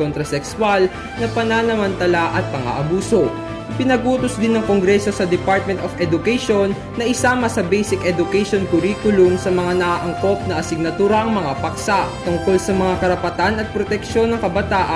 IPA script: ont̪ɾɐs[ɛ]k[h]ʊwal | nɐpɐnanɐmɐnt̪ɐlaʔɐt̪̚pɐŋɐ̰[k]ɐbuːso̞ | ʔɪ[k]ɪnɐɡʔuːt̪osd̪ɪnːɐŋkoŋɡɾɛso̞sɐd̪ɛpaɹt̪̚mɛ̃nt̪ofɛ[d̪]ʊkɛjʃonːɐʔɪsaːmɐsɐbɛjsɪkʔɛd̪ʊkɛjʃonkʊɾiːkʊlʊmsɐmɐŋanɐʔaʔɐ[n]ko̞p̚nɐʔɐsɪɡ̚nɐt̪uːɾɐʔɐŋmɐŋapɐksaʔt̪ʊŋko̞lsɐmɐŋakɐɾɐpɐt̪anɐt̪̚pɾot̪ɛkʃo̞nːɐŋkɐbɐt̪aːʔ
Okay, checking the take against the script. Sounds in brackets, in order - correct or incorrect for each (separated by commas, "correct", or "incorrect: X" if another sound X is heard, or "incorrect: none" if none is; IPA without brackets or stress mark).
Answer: correct, incorrect: s, incorrect: ʔ, incorrect: p, correct, incorrect: ŋ